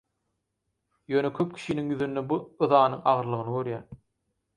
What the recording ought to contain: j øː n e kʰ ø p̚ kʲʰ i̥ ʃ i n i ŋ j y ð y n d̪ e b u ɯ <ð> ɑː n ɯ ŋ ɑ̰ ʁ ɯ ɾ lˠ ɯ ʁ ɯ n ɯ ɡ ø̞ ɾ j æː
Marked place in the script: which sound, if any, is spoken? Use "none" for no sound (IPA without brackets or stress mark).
ð